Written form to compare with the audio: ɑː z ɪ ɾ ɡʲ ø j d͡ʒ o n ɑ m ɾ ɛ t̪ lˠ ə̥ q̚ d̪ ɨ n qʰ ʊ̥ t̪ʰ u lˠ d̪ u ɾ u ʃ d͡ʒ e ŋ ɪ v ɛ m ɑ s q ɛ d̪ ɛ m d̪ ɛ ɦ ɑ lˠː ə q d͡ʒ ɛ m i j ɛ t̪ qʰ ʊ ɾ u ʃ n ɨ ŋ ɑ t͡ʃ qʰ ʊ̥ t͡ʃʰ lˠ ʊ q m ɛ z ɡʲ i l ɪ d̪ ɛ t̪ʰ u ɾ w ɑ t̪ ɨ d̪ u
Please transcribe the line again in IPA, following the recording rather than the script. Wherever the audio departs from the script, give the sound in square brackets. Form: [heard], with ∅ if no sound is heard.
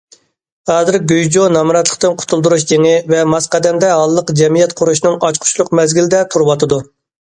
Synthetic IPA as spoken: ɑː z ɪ ɾ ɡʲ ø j d͡ʒ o n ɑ m ɾ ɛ t̪ lˠ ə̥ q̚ [t̪] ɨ n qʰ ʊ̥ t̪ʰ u lˠ d̪ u ɾ u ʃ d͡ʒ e ŋ ɪ v ɛ m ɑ s q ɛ d̪ ɛ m d̪ ɛ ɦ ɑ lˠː ə q d͡ʒ ɛ m i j ɛ t̪ qʰ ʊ ɾ u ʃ n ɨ ŋ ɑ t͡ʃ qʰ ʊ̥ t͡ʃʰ lˠ ʊ q m ɛ z ɡʲ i l ɪ d̪ ɛ t̪ʰ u ɾ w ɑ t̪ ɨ d̪ u

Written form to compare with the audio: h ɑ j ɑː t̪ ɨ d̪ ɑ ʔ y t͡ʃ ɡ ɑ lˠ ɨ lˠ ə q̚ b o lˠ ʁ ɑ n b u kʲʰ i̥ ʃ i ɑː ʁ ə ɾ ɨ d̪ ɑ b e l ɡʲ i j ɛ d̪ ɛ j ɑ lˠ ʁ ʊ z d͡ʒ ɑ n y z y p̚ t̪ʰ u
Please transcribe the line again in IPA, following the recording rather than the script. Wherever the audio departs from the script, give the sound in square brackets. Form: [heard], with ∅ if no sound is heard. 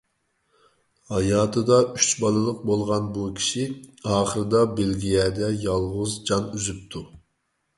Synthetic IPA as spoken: h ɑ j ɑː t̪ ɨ d̪ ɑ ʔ y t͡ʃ [b] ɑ lˠ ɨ lˠ ə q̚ b o lˠ ʁ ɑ n b u kʲʰ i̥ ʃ i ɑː [χ] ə ɾ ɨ d̪ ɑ b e l ɡʲ i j ɛ d̪ ɛ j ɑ lˠ ʁ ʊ z d͡ʒ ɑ n y z y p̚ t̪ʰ u

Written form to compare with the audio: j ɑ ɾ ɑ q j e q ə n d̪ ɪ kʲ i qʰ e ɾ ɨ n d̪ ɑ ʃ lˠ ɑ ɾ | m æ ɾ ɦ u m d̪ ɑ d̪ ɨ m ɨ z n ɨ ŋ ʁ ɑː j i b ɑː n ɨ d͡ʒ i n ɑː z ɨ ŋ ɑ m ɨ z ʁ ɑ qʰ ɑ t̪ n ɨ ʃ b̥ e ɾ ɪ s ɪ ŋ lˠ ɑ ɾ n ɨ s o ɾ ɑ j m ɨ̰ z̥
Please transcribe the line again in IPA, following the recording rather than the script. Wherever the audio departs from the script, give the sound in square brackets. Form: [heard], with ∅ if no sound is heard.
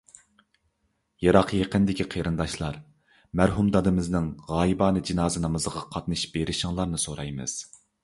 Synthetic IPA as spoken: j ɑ ɾ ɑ q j e q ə n d̪ ɪ kʲ i qʰ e ɾ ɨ n d̪ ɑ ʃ lˠ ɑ ɾ | m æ ɾ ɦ u m d̪ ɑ d̪ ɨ m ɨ z n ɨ ŋ ʁ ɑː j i b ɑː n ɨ d͡ʒ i n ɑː z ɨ [n] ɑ m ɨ z ʁ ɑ qʰ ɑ t̪ n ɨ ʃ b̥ e ɾ ɪ [ʃ] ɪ ŋ lˠ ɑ ɾ n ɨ s o ɾ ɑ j m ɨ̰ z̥

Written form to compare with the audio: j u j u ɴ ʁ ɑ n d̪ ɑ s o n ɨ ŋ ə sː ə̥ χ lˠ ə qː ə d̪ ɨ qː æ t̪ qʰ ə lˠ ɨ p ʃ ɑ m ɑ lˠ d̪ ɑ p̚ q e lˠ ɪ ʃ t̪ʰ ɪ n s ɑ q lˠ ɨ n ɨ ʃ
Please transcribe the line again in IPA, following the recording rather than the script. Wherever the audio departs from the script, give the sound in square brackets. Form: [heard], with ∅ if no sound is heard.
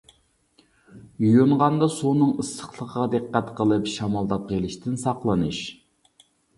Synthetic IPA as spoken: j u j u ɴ ʁ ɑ n d̪ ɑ s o n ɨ ŋ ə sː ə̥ χ lˠ ə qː [ɑ] d̪ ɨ qː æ t̪ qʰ ə lˠ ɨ p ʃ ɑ m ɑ lˠ d̪ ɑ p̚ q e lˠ ɪ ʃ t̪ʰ ɪ n s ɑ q lˠ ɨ n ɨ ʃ

